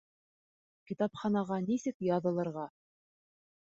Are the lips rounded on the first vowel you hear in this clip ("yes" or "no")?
no